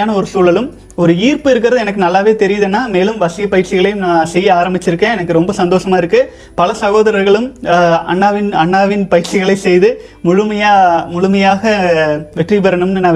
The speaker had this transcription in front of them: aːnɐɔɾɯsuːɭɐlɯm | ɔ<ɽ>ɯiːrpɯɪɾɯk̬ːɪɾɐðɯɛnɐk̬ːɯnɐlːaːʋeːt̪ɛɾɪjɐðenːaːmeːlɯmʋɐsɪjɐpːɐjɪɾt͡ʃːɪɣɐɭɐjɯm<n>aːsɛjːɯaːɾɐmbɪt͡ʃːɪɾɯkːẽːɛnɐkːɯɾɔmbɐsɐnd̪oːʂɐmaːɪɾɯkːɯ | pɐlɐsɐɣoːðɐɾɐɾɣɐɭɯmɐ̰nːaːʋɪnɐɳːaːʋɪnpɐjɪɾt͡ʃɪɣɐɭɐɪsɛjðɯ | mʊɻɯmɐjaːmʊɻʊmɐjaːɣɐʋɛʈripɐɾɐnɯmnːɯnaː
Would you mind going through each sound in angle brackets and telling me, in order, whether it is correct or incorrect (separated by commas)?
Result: incorrect, correct